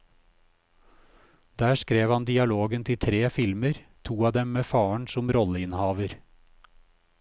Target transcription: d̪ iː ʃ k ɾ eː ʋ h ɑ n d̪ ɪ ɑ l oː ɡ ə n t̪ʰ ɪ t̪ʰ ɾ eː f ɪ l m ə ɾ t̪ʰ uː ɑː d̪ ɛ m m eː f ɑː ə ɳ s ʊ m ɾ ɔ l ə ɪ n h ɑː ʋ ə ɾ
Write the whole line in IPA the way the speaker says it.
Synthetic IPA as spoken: d̪ æː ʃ k ɾ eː ʋ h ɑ n d̪ ɪ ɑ l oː ɡ ə n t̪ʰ ɪ t̪ʰ ɾ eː f ɪ l m ə ɾ t̪ʰ uː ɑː d̪ ɛ m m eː f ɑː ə ɳ s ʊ m ɾ ɔ l ə ɪ n h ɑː ʋ ə ɾ

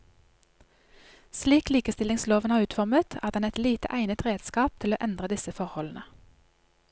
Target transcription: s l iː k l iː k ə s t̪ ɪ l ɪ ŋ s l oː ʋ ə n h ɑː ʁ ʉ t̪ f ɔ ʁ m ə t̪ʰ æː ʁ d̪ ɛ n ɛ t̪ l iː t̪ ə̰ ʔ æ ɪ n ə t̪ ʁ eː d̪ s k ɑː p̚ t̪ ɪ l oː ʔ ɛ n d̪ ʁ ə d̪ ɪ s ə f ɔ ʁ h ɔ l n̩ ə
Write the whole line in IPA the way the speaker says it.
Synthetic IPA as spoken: s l iː k l iː k ə s t̪ ɪ l ɪ ŋ s l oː ʋ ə n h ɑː ʁ ʉː t̪ f ɔ ʁ m ə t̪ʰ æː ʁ d̪ ɛ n ɛ t̪ l iː t̪ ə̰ ʔ æ ɪ n ə t̪ ʁ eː d̪ s k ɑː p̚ t̪ʰ ɪ l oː ʔ ɛ n d̪ ʁ ə d̪ ɪ s ə f ɔ ʁ h ɔ l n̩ ə

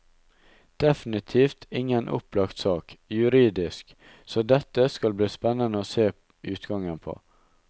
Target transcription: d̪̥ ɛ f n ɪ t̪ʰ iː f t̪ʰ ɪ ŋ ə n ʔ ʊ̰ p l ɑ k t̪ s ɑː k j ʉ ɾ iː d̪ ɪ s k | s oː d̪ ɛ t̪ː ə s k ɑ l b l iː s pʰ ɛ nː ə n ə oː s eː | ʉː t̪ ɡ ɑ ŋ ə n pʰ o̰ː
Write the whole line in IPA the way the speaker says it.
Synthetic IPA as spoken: d̪̥ ɛ f n ɪ t̪ʰ iː f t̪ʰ ɪ ŋ ə n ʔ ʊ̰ p l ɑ k t̪ s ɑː k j ʉ ɾ iː d̪ ɪ s k | s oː d̪ ɛ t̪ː ə s k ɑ l b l iː s p ɛ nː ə n ə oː s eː | ʉː t̪ ɡ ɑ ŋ ə n pʰ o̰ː

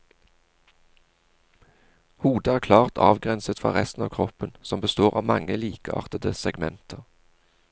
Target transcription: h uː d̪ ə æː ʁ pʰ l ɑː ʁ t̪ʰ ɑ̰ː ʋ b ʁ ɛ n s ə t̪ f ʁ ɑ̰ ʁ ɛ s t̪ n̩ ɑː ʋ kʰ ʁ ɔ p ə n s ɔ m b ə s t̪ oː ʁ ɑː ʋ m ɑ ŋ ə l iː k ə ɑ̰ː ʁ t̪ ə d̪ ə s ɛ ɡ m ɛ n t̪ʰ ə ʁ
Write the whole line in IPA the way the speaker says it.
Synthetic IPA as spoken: h uː d̪ ə æː ʁ kʰ l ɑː ʁ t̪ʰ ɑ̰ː ʋ ɡ ʁ ɛ n s ə t̪ f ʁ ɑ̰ ʁ ɛ s t̪ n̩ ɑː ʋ kʰ ʁ ɔ p ə n s ɔ m b ə s t̪ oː ʁ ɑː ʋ m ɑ ŋ ə l iː k ə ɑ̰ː ʁ t̪ ə d̪ ə s ɛ ɡ m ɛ n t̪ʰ ə ʁ

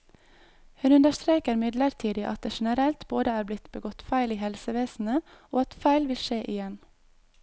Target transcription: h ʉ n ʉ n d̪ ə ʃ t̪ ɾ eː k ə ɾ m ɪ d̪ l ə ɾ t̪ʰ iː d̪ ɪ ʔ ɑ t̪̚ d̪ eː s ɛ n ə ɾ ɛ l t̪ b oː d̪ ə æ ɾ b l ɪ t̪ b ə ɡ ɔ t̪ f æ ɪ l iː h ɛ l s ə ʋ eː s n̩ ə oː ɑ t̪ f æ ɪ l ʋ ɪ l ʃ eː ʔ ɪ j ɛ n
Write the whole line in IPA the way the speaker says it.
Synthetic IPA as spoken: h ʉ n ʉ n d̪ ə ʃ t̪ ɾ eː k ə ɾ m ɪ d̪ l ə ɾ t̪ʰ iː d̪ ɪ ʔ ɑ t̪̚ d̪ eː ʃ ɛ n ə ɾ ɛ l t̪ b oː d̪ ə æː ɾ b l ɪ t̪ b ə ɡ ɔ t̪ f æ ɪ l iː h ɛ l s ə ʋ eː s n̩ ə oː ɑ t̪ f æ ɪ l ʋ ɪ l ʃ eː ʔ ɪ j ɛ n

